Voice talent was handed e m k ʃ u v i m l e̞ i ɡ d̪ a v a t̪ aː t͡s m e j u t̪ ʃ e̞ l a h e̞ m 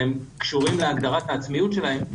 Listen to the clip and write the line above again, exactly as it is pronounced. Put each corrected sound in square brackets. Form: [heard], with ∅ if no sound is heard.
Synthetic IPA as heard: e m k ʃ u [ʁ] i m l e̞ [a] ɡ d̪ a [ʁ] a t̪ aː t͡s m [i] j u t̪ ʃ e̞ l a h e̞ m